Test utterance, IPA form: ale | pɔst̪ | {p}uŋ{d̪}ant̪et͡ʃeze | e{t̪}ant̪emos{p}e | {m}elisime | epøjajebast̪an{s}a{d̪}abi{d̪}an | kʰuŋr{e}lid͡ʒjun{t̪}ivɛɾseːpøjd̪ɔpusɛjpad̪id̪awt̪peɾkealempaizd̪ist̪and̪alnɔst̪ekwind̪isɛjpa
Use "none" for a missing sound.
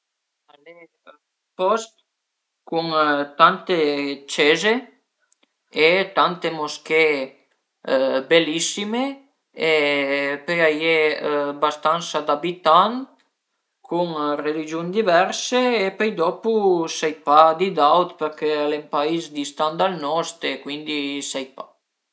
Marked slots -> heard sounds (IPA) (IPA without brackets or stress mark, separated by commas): k, t̪, t̪, k, b, s, d̪, t̪, e, d̪